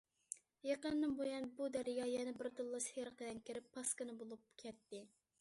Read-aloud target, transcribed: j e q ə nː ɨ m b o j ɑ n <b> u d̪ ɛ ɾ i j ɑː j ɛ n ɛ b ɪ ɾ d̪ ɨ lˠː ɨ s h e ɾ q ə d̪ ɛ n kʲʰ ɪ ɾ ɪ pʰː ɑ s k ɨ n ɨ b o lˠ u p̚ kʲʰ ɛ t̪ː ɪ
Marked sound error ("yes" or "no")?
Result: no